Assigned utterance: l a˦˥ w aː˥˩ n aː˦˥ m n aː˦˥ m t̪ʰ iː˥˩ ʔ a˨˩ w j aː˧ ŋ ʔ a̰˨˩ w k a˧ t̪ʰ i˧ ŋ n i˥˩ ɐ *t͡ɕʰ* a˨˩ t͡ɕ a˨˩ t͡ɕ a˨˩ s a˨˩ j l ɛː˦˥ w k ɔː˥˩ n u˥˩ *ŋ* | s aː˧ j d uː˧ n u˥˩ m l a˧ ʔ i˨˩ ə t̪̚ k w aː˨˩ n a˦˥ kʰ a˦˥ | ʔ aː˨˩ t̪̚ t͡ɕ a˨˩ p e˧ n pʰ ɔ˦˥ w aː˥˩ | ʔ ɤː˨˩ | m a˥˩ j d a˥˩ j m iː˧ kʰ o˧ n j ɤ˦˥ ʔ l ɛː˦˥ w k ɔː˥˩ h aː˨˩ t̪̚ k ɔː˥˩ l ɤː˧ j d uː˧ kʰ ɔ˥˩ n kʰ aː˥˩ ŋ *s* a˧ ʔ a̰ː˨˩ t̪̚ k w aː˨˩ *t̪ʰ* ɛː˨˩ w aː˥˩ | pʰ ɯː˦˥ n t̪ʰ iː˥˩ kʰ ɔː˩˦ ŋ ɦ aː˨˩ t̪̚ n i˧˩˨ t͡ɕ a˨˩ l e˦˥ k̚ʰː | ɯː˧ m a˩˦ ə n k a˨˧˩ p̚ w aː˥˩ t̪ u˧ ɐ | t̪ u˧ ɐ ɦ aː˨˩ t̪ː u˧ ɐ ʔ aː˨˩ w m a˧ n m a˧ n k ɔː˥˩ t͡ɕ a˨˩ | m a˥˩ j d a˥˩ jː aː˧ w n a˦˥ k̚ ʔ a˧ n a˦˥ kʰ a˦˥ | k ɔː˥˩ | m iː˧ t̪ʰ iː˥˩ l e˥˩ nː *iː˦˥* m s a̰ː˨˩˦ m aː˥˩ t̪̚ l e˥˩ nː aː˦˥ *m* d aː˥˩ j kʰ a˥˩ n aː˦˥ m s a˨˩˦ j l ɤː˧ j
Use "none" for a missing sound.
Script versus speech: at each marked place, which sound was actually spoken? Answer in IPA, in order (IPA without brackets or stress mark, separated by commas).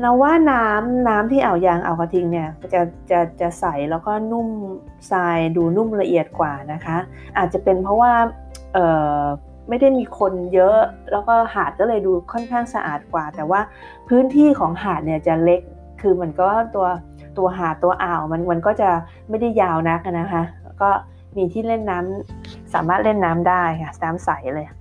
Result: t͡ɕ, m, s, t̪, aː˦˥, m